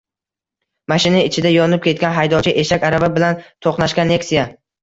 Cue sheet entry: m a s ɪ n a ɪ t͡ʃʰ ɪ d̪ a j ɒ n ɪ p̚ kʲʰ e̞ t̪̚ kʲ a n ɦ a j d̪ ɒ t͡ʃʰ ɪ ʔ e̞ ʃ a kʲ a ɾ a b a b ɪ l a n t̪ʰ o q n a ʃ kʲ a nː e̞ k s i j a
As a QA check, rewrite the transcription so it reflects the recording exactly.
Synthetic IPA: m a ʃ ɪ n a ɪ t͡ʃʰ ɪ d̪ a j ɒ n ɪ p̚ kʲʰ e̞ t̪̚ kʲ a n ɦ a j d̪ ɒ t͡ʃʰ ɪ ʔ e̞ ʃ a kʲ a ɾ a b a b ɪ l a n t̪ʰ o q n a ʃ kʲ a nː e̞ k s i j a